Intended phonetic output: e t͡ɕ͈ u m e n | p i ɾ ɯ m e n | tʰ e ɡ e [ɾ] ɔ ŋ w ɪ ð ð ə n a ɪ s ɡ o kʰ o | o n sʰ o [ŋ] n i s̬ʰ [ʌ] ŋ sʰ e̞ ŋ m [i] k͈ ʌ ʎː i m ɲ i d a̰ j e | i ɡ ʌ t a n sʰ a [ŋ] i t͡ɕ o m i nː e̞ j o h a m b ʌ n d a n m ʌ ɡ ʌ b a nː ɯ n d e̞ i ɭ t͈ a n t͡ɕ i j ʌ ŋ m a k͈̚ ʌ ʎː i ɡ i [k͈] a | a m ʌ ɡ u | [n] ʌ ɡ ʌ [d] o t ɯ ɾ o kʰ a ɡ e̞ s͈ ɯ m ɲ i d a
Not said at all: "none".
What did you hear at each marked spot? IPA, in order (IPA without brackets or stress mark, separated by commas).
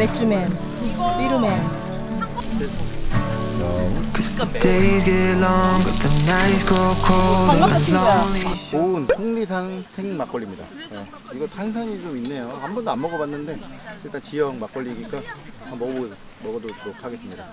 l, ŋ, a, a, ɲ, k͈, m, d